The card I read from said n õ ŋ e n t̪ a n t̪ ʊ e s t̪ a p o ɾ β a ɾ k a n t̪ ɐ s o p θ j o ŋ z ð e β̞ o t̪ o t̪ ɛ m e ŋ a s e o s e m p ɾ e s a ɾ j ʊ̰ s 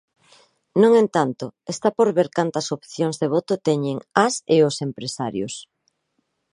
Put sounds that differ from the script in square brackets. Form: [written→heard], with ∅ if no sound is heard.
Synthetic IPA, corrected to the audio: n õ ŋ e n t̪ a n t̪ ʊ e s t̪ a p o ɾ β [a→e] ɾ k a n t̪ ɐ s o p θ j o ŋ z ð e β̞ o t̪ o t̪ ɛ [m→ɲ] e ŋ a s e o s e m p ɾ e s a ɾ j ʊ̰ s

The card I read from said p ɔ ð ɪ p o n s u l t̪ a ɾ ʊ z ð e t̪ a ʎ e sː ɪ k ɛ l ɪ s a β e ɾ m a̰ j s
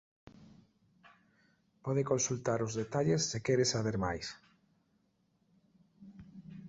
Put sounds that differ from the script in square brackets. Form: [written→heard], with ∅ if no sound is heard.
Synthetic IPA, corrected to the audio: p ɔ ð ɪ [p→k] o n s u l t̪ a ɾ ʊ z ð e t̪ a ʎ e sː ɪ k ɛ [l→ɾ] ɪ s a β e ɾ m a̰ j s

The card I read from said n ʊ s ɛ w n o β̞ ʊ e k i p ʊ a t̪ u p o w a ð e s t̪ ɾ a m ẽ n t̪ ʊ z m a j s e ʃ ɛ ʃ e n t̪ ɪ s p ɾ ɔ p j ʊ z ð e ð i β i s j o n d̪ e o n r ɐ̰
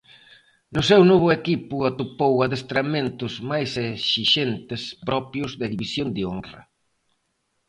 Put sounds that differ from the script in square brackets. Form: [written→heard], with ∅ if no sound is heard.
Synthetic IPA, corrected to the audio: n ʊ s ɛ w n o β̞ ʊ e k i p ʊ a t̪ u p o w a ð e s t̪ ɾ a m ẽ n t̪ ʊ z m a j s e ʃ [ɛ→i] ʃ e n t̪ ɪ s p ɾ ɔ p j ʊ z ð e ð i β i s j o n d̪ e o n r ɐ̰

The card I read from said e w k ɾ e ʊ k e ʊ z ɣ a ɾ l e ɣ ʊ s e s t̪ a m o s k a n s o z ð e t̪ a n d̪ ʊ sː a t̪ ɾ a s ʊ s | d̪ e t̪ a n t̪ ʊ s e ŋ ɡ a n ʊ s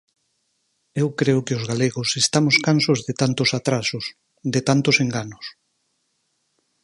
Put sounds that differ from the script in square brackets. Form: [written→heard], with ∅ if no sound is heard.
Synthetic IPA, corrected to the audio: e w k ɾ e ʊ k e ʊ z ɣ a [ɾ→∅] l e ɣ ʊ s e s t̪ a m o s k a n s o z ð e t̪ a n [d̪→t̪] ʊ [sː→s] a t̪ ɾ a s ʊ s | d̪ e t̪ a n t̪ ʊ s e ŋ ɡ a n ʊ s

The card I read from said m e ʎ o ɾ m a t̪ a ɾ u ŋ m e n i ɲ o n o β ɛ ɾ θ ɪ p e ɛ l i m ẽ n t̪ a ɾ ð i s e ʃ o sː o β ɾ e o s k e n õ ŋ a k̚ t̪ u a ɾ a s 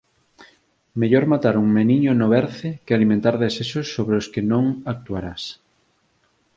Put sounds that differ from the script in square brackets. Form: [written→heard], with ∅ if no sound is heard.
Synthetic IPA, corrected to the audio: m e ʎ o ɾ m a t̪ a ɾ u ŋ m e n i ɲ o n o β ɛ ɾ θ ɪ [p→k] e [ɛ→a] l i m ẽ n t̪ a ɾ ð [i→e] s e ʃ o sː o β ɾ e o s k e n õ ŋ a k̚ t̪ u a ɾ a s

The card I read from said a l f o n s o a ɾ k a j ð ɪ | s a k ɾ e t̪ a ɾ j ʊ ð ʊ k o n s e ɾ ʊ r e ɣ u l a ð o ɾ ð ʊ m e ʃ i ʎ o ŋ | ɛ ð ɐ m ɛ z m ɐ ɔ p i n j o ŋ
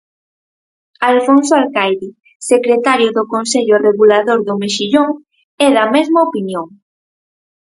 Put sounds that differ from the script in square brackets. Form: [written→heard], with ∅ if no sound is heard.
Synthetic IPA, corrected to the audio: a l f o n s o a [ɾ→l] k a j ð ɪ | s [a→e] k ɾ e t̪ a ɾ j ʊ ð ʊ k o n s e [ɾ→ʎ] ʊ r e ɣ u l a ð o ɾ ð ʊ m e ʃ i ʎ o ŋ | ɛ ð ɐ m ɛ z m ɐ [ɔ→o] p i n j o ŋ

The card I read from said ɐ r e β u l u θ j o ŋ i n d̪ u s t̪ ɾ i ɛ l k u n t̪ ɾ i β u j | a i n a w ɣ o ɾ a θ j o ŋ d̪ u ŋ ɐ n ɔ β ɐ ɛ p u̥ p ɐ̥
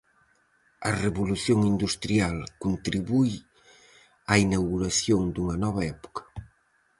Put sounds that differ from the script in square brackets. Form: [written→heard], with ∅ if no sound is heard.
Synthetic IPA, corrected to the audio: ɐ r e β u l u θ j o ŋ i n d̪ u s t̪ ɾ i [ɛ→a] l k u n t̪ ɾ i β u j | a i n a w ɣ [o→u] ɾ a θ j o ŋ d̪ u ŋ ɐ n ɔ β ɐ ɛ p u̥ [p→k] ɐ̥

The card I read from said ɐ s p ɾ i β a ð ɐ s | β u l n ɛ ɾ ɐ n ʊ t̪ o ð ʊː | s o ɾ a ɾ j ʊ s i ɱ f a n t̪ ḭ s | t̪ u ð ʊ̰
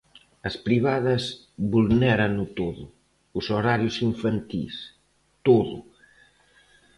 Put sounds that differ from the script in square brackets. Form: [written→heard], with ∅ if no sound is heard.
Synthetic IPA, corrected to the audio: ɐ s p ɾ i β a ð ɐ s | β u l n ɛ ɾ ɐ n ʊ t̪ o ð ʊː | s o ɾ a ɾ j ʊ s i ɱ f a n t̪ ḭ s | t̪ [u→o] ð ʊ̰

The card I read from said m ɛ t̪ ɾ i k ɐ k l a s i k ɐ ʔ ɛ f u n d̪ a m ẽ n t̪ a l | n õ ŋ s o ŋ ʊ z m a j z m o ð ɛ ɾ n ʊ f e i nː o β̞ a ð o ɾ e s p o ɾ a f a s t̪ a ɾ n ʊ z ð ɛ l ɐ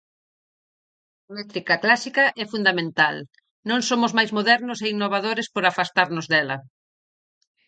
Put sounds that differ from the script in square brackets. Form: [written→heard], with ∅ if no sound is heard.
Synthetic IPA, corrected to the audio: m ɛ t̪ ɾ i k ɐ k l a s i k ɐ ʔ ɛ f u n d̪ a m ẽ n t̪ a l | n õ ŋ s o [ŋ→m] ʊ z m a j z m o ð ɛ ɾ n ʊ [f→s] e i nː o β̞ a ð o ɾ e s p o ɾ a f a s t̪ a ɾ n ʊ z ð ɛ l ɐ

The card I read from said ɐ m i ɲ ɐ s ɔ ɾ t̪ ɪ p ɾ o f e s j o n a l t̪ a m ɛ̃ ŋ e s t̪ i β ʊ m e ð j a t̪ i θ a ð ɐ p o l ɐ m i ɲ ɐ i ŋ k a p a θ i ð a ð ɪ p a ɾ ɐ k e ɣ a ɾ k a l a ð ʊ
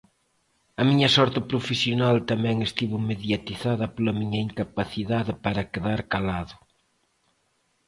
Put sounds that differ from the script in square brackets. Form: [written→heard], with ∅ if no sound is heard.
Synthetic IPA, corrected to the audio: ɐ m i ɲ ɐ s ɔ ɾ t̪ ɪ p ɾ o f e s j o n a l t̪ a m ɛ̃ ŋ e s t̪ i β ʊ m e ð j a t̪ i θ a ð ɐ p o l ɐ m i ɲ ɐ i ŋ k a p a θ i ð a ð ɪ p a ɾ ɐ k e [ɣ→ð] a ɾ k a l a ð ʊ

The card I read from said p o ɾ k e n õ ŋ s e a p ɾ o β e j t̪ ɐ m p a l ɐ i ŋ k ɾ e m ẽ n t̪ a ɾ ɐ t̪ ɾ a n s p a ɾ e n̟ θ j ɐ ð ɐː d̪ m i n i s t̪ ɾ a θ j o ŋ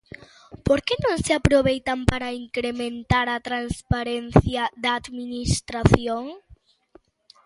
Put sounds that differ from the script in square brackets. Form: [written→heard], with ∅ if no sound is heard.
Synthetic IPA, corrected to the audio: p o ɾ k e n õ ŋ s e a p ɾ o β e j t̪ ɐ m p a [l→ɾ] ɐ i ŋ k ɾ e m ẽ n t̪ a ɾ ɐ t̪ ɾ a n s p a ɾ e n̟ θ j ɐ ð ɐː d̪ m i n i s t̪ ɾ a θ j o ŋ

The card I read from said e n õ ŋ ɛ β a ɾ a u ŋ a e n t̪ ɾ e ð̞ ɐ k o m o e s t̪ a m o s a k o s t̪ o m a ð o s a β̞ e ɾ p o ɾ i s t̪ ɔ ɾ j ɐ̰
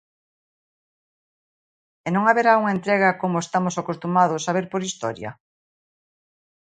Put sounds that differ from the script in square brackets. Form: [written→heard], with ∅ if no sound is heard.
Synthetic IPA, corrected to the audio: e n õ ŋ [ɛ→a] β [a→e] ɾ a u ŋ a e n t̪ ɾ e [ð̞→ɣ̞] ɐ k o m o e s t̪ a m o s a k o s t̪ [o→u] m a ð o s a β̞ e ɾ p o ɾ i s t̪ ɔ ɾ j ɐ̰

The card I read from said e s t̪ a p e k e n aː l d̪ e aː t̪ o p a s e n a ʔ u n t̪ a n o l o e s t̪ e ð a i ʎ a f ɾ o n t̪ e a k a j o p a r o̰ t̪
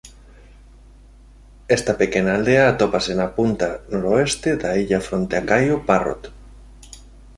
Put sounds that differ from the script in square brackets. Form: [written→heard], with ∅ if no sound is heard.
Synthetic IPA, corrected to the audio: e s t̪ a p e k e n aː l d̪ e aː t̪ o p a s e n a [ʔ→p] u n t̪ a n o [l→ɾ] o e s t̪ e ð a i ʎ a f ɾ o n t̪ e a k a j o p a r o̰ t̪

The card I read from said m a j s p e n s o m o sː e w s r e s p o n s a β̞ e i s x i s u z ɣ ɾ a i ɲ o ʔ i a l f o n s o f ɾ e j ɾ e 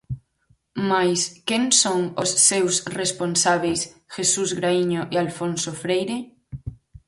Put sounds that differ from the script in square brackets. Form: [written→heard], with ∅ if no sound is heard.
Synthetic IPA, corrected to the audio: m a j s [p→k] e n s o [m→ŋ] o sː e w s r e s p o n s a β̞ e [i→j] s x [i→e] s u z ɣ ɾ a i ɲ o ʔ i a l f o n s o f ɾ e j ɾ e

